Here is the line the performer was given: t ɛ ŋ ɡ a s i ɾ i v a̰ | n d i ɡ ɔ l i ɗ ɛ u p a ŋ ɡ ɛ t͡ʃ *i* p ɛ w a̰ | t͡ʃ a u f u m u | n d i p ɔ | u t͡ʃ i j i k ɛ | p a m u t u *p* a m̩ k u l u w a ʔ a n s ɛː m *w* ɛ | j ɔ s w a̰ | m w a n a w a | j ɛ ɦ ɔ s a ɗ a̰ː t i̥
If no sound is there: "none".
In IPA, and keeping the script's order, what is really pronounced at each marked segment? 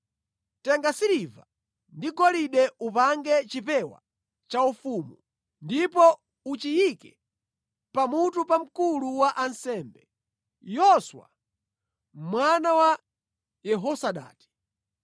i, p, b

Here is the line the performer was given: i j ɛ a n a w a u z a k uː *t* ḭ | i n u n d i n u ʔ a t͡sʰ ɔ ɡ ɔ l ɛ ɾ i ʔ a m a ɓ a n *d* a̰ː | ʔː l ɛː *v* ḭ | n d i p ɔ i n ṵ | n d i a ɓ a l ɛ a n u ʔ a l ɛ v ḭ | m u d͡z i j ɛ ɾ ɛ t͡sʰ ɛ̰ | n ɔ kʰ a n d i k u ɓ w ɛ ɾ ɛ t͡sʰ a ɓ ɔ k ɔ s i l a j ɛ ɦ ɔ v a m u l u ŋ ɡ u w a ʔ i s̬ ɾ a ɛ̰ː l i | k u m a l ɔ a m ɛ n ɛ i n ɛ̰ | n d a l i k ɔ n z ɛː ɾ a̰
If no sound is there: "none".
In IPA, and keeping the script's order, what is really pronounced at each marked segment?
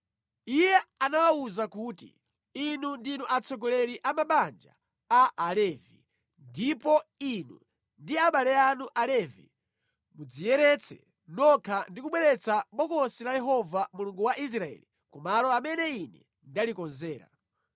t, d͡ʒ, v

